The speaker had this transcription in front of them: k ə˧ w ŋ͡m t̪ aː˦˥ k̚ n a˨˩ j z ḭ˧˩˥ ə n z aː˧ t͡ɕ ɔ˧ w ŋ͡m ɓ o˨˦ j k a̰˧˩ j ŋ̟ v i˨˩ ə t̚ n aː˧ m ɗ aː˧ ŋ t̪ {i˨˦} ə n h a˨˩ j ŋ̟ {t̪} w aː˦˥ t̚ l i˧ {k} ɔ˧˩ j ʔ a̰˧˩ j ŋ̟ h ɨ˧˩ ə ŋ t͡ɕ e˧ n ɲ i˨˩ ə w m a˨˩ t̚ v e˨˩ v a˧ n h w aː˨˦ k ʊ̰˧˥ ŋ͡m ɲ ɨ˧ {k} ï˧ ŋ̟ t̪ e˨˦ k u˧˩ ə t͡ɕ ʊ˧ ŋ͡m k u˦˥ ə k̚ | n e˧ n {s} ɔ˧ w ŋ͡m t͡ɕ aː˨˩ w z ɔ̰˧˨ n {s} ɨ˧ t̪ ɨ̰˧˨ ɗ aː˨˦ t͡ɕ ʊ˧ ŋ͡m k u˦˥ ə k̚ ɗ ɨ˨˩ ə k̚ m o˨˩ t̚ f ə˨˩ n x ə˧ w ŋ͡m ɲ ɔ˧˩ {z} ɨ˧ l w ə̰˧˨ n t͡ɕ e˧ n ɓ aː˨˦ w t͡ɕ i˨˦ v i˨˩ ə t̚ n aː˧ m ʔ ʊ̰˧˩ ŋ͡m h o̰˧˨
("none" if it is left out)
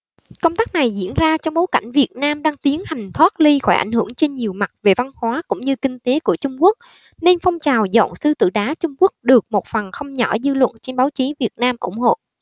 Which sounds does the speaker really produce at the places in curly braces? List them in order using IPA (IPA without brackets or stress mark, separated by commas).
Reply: i˨˦, t̪ʰ, x, k, f, s, z